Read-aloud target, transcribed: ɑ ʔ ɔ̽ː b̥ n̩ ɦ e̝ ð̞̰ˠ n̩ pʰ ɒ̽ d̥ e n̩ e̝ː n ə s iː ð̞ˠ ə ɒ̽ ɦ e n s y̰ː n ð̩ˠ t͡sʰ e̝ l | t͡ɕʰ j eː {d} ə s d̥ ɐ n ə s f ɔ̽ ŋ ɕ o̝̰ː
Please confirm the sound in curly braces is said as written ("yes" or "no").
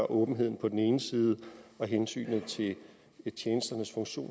no